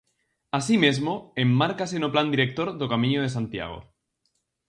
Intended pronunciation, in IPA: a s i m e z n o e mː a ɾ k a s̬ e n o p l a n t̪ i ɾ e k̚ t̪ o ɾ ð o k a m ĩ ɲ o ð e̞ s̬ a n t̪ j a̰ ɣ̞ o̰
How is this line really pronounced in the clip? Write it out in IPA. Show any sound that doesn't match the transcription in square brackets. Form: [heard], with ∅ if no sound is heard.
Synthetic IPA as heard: a s i m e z [m] o e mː a ɾ k a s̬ e n o p l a n [d̪] i ɾ e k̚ t̪ o ɾ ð o k a m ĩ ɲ o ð e̞ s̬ a n t̪ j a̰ ɣ̞ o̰